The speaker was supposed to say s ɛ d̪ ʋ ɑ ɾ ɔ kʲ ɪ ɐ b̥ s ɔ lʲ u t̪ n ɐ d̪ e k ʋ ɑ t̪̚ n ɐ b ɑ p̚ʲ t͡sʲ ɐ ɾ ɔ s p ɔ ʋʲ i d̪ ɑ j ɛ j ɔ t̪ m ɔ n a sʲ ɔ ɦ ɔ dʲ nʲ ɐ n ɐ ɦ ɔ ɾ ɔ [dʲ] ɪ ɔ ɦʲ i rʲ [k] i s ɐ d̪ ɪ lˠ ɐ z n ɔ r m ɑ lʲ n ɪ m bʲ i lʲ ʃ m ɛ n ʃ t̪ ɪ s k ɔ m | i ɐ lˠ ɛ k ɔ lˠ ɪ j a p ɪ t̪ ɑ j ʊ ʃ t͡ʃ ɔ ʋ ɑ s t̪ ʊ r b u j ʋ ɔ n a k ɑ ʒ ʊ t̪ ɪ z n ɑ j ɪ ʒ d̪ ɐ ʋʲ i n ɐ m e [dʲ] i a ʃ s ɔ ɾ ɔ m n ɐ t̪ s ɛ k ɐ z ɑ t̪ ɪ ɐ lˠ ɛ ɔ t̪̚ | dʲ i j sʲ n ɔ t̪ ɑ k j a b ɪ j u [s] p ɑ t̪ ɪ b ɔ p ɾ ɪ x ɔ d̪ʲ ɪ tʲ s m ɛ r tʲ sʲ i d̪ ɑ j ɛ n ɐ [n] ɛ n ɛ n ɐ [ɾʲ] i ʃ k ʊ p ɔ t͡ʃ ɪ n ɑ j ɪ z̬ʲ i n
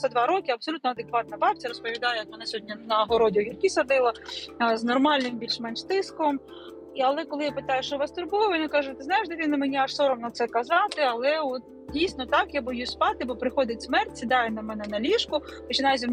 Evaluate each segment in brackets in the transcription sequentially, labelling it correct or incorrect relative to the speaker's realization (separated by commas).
correct, correct, incorrect, correct, incorrect, incorrect